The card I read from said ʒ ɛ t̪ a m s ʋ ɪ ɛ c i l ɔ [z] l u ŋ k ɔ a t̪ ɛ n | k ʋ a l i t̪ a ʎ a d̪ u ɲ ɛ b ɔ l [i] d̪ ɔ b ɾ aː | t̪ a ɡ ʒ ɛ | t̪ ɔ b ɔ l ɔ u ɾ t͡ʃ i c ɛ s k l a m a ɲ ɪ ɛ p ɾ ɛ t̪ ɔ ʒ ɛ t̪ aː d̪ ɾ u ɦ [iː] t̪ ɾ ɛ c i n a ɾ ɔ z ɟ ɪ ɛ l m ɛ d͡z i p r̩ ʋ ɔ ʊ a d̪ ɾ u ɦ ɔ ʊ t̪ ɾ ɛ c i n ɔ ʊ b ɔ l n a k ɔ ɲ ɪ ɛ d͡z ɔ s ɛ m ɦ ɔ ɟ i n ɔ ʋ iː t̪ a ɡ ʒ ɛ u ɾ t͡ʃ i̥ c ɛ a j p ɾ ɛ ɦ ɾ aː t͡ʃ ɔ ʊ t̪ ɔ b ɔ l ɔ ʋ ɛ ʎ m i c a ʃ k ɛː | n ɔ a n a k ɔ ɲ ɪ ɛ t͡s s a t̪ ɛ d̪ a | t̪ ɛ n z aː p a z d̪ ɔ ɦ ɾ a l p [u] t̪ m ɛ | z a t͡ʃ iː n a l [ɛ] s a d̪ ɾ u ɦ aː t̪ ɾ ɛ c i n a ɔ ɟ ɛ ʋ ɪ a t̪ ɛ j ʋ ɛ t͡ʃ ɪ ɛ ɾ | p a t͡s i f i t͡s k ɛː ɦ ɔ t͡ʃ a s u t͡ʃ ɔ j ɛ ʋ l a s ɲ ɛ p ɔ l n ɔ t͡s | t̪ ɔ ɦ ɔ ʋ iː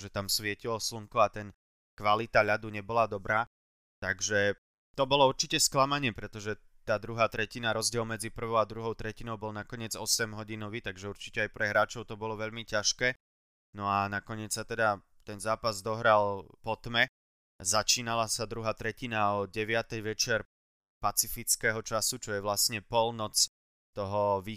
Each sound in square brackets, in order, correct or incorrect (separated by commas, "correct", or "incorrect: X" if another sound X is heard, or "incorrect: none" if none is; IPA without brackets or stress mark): incorrect: s, incorrect: a, incorrect: aː, incorrect: ɔ, incorrect: a